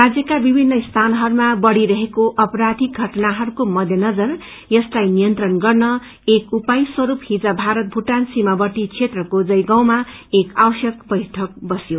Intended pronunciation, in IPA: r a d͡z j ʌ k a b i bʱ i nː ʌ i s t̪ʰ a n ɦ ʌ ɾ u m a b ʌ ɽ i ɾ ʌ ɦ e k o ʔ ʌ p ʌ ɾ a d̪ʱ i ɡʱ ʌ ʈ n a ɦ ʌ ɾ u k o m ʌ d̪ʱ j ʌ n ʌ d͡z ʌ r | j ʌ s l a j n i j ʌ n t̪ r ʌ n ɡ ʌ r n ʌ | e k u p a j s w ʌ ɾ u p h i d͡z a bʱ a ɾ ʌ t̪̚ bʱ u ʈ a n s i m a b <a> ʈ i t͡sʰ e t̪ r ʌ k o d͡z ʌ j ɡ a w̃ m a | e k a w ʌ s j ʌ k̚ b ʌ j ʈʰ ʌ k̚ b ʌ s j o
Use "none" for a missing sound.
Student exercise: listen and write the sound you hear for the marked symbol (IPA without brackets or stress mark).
ʌ